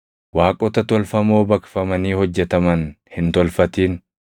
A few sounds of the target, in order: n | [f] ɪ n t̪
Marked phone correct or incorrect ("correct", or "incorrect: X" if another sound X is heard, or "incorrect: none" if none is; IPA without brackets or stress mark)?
incorrect: h